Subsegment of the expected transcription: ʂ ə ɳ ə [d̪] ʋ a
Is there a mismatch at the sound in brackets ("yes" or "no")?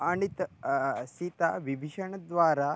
no